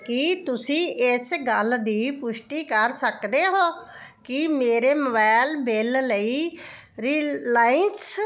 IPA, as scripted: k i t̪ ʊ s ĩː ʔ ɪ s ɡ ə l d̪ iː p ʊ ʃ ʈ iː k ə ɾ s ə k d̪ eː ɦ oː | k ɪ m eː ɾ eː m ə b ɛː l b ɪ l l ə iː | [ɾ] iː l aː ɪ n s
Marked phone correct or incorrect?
correct